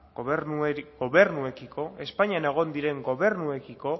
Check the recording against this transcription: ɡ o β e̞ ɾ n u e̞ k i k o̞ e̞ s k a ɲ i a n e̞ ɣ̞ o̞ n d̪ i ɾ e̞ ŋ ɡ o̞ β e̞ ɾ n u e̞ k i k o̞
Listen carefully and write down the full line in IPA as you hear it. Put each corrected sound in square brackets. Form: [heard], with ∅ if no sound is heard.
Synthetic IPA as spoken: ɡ o β e̞ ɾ n u e̞ k i k o̞ e̞ s [p] a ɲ i a n e̞ ɣ̞ o̞ n d̪ i ɾ e̞ ŋ ɡ o̞ β e̞ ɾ n u e̞ k i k o̞